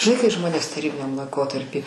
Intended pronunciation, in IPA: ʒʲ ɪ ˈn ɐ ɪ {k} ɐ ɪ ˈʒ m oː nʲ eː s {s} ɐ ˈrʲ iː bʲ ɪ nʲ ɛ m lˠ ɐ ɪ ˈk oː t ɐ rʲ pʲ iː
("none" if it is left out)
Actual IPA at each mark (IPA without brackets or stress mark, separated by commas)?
k, t